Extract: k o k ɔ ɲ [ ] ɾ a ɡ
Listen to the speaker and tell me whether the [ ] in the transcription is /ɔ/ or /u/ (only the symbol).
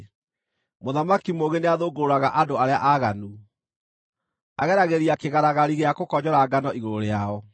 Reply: ɔ